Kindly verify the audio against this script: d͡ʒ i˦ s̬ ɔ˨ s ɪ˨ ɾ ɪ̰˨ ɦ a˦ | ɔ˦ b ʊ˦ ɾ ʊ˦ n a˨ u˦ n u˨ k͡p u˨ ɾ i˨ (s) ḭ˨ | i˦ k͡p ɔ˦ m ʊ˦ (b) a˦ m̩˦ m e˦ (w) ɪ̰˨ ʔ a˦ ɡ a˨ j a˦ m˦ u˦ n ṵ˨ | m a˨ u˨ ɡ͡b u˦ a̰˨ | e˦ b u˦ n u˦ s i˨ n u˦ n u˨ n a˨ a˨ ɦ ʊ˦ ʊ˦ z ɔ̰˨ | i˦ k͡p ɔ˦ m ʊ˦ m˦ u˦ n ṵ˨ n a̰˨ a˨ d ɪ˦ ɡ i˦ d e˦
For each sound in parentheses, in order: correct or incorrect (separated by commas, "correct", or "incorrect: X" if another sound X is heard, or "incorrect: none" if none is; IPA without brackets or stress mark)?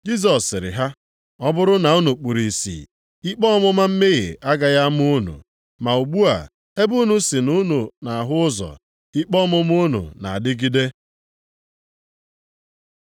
correct, incorrect: m, incorrect: ɣ